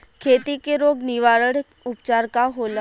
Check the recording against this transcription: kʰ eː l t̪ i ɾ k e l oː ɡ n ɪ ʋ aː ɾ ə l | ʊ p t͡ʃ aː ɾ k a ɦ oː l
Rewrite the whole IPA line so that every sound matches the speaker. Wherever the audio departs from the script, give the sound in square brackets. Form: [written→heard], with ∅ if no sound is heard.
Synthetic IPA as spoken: kʰ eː [l→∅] t̪ i [ɾ→∅] k e [l→ɾ] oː ɡ n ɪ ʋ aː ɾ ə [l→ɽ] | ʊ p t͡ʃ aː ɾ k a ɦ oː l